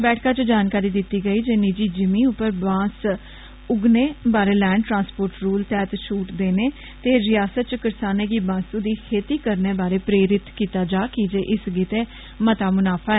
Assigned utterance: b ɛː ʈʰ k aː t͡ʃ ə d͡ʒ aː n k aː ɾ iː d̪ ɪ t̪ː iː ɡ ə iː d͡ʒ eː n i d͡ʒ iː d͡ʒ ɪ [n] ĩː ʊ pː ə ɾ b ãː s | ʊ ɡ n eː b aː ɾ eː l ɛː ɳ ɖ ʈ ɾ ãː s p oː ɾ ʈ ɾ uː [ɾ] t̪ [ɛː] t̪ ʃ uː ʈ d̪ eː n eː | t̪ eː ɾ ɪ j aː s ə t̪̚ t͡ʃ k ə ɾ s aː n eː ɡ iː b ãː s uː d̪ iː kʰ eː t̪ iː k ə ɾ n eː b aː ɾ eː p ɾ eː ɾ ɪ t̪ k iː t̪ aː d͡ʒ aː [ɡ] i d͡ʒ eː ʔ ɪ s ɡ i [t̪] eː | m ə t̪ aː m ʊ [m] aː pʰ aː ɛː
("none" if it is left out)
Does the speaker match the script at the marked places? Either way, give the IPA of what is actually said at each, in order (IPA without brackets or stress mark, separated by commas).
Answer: m, l, ɛː, k, t̪, n